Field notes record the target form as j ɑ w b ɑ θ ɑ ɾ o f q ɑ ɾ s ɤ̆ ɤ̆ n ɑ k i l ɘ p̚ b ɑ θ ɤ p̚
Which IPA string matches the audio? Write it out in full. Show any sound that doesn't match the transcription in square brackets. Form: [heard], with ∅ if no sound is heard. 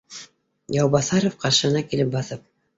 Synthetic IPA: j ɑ w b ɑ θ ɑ ɾ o f q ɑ ɾ [ʃ] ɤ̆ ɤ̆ n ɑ k i l ɘ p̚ b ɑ θ ɤ p̚

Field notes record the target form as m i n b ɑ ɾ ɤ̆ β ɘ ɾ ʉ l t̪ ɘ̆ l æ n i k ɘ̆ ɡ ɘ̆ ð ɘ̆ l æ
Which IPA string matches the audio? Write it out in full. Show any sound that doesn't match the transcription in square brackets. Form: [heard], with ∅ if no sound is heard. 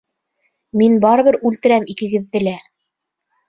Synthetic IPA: m i n b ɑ ɾ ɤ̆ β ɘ ɾ ʉ l t̪ ɘ̆ [ɾ] æ [m] i k ɘ̆ ɡ ɘ̆ [ðː] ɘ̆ l æ

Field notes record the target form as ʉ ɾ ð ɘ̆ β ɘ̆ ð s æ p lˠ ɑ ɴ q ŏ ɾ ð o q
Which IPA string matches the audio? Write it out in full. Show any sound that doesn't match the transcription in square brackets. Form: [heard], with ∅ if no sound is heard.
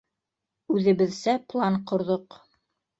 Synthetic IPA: ʉ [∅] ð ɘ̆ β ɘ̆ ð s æ p lˠ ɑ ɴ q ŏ ɾ ð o q

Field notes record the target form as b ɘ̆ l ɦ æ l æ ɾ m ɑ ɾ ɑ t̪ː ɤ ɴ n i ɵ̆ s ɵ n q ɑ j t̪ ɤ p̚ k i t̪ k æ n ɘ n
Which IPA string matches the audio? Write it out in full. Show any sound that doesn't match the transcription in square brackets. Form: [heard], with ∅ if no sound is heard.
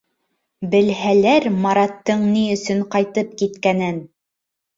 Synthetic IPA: b ɘ̆ l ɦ æ l æ ɾ m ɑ ɾ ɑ t̪ː ɤ ɴ n i ɵ̆ s ɵ [ɴ] q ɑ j t̪ ɤ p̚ k i t̪ k æ n ɘ n

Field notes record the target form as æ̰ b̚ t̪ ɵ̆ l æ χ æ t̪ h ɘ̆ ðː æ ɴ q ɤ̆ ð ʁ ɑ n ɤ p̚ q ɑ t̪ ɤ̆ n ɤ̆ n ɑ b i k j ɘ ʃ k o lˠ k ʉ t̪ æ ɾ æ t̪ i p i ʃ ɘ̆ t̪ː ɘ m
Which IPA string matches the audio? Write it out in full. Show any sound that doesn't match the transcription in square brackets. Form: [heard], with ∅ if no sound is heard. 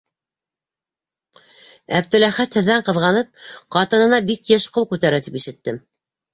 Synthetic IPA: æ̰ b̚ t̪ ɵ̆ l æ χ æ t̪ h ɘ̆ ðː æ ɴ q ɤ̆ ð ʁ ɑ n ɤ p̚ q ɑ t̪ ɤ̆ n ɤ̆ n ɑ b i k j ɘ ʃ [q] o lˠ k ʉ t̪ æ ɾ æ t̪ i p i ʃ ɘ̆ t̪ː ɘ m

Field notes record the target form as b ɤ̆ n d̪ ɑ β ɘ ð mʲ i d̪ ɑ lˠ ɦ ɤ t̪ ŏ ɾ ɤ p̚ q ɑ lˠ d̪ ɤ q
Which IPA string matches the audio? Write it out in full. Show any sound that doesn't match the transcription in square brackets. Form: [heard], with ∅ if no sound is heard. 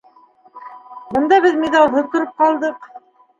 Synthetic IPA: b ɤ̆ n d̪ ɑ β ɘ ð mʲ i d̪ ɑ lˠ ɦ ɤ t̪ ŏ ɾ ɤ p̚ q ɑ lˠ d̪ ɤ q

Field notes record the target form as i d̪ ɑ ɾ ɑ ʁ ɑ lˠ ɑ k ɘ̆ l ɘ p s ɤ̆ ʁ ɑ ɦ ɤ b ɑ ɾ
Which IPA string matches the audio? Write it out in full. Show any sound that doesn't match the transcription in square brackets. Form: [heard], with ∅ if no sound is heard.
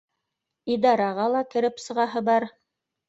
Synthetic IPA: i d̪ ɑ ɾ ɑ ʁ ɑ lˠ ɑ k ɘ̆ [ɾ] ɘ p s ɤ̆ ʁ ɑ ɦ ɤ b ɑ ɾ

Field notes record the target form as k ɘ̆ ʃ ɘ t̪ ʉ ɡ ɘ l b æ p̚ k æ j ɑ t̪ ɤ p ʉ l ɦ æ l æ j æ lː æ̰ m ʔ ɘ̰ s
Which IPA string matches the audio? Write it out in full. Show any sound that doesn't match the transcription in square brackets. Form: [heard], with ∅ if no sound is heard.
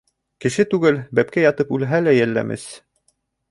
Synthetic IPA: k ɘ̆ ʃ ɘ t̪ ʉ ɡ ɘ l b æ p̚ k æ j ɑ t̪ ɤ p ʉ l ɦ æ l æ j æ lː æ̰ m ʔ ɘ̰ s

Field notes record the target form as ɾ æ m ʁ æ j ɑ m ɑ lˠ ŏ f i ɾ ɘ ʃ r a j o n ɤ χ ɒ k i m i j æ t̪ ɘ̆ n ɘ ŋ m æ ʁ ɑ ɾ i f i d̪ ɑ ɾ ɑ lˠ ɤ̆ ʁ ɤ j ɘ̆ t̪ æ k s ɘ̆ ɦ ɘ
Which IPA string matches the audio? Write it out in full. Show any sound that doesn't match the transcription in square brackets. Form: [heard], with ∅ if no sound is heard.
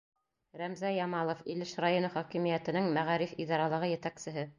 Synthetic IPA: ɾ æ m [z] æ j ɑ m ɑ lˠ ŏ f i [l] ɘ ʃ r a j o n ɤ χ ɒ k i m i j æ t̪ ɘ̆ n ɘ ŋ m æ ʁ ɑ ɾ i f i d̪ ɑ ɾ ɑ lˠ ɤ̆ ʁ ɤ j ɘ̆ t̪ æ k s ɘ̆ ɦ ɘ

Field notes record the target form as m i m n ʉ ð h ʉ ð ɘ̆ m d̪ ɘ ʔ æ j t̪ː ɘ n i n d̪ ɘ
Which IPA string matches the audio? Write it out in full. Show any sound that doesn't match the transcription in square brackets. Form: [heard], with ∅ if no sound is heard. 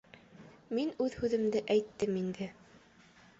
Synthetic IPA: m i [∅] n ʉ ð h ʉ ð ɘ̆ m d̪ ɘ ʔ æ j t̪ː ɘ [m] i n d̪ ɘ

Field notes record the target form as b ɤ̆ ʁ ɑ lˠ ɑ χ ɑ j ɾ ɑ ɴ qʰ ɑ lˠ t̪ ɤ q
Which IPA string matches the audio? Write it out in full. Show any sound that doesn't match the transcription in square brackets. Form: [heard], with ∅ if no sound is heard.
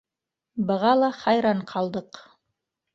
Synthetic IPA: b ɤ̆ ʁ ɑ lˠ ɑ χ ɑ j ɾ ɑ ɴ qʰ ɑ lˠ [d̪] ɤ q

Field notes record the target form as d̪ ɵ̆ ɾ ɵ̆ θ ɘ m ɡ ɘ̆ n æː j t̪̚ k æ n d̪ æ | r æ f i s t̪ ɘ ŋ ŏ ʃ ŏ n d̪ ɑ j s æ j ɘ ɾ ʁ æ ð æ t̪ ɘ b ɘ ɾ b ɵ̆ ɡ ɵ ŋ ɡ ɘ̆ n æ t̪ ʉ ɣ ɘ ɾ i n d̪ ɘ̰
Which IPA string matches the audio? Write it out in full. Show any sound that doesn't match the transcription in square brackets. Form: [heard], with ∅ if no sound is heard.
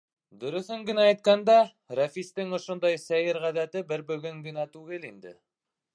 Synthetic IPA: d̪ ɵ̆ ɾ ɵ̆ θ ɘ [ŋ] ɡ ɘ̆ n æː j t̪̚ k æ n d̪ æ | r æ f i s t̪ ɘ ŋ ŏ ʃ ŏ n d̪ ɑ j s æ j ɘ ɾ ʁ æ ð æ t̪ ɘ b ɘ ɾ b ɵ̆ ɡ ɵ ŋ ɡ ɘ̆ n æ t̪ ʉ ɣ ɘ [l] i n d̪ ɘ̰

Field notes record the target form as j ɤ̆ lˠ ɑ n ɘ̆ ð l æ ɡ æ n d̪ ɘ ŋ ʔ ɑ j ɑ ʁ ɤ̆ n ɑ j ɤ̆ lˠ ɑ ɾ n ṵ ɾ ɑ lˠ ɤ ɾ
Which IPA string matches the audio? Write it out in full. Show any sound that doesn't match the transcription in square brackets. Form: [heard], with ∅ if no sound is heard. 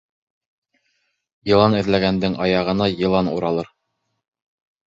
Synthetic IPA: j ɤ̆ lˠ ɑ n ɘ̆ ð l æ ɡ æ n d̪ ɘ ŋ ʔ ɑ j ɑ ʁ ɤ̆ n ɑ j ɤ̆ lˠ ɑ [∅] n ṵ ɾ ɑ lˠ ɤ ɾ

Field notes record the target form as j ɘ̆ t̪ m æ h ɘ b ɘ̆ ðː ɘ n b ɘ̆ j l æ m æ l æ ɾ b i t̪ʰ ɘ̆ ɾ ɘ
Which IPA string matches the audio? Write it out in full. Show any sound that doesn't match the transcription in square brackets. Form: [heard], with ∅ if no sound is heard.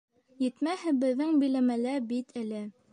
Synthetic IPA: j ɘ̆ t̪ m æ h ɘ b ɘ̆ ðː ɘ [ŋ] b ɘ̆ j l æ m æ l æ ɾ b i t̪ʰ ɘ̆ [l] ɘ

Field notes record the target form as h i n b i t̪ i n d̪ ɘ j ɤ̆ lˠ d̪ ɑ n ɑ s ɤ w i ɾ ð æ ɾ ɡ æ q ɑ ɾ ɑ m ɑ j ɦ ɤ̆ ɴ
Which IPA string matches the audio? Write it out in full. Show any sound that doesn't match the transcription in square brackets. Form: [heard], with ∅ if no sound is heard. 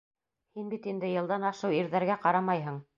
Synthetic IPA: h i n b i t̪ i n d̪ ɘ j ɤ̆ lˠ d̪ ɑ n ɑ [ʃ] ɤ w i ɾ ð æ ɾ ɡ æ q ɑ ɾ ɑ m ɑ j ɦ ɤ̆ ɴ

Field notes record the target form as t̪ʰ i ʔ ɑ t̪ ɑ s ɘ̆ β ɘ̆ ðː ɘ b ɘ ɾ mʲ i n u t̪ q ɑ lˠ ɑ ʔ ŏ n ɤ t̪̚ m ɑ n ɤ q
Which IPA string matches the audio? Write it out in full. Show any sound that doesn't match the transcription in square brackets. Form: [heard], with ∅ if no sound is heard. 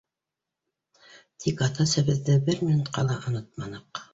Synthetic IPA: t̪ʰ i [k] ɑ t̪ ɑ s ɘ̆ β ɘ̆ ðː ɘ b ɘ ɾ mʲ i n u t̪ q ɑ lˠ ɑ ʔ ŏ n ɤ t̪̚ m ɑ n ɤ q

